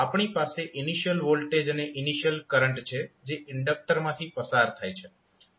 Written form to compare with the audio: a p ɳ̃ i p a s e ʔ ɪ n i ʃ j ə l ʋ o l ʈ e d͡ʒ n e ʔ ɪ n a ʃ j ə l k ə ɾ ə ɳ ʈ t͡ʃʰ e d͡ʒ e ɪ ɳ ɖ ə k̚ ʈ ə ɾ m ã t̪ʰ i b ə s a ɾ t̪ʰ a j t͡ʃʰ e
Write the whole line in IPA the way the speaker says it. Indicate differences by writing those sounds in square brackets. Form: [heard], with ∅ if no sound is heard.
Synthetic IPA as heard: a p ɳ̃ i p a s e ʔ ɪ n i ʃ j ə l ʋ o l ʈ e d͡ʒ n e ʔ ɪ n [i] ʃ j ə l k ə ɾ ə ɳ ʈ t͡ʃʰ e d͡ʒ e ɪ ɳ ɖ ə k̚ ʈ ə ɾ m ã t̪ʰ i [p] ə s a ɾ t̪ʰ a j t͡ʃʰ e